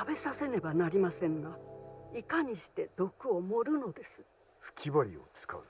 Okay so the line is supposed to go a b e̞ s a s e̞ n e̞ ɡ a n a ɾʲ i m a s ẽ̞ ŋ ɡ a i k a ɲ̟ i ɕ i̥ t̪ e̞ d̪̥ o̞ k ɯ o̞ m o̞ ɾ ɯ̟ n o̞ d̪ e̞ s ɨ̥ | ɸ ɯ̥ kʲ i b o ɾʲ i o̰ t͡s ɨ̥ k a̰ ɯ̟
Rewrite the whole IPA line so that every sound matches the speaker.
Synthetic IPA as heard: a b e̞ s a s e̞ n e̞ b a n a ɾʲ i m a s ẽ̞ ŋ ɡ a i k a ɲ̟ i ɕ i̥ t̪ e̞ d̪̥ o̞ k ɯ o̞ m o̞ ɾ ɯ̟ n o̞ d̪ e̞ s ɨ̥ | ɸ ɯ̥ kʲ i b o ɾʲ i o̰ t͡s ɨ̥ k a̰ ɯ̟